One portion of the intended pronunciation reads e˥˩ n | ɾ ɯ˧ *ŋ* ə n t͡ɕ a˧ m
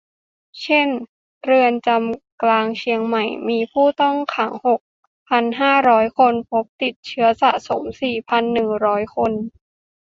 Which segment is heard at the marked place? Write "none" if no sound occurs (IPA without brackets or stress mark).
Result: none